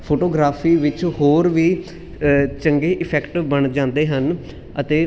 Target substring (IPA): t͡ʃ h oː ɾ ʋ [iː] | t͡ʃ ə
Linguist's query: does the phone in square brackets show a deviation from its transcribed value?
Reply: no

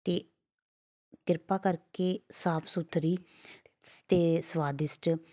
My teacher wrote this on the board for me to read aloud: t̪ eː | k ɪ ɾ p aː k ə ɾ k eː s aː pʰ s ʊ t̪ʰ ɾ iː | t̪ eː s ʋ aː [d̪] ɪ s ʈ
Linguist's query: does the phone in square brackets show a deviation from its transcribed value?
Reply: no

